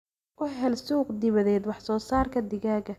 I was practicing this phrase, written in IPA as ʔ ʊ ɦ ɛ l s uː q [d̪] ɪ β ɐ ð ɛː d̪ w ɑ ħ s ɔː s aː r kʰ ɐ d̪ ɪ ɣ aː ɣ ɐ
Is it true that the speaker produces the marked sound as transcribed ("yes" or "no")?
yes